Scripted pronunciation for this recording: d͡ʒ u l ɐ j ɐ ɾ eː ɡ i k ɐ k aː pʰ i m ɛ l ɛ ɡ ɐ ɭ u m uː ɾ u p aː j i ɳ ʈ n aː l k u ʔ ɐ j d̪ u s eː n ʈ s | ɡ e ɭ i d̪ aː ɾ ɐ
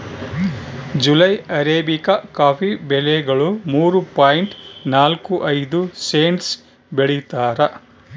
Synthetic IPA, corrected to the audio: d͡ʒ u l ɐ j ɐ ɾ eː b i k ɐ k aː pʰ i b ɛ l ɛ ɡ ɐ ɭ u m uː ɾ u p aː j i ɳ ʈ n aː l k u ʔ ɐ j d̪ u s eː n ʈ s | b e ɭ i t̪ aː ɾ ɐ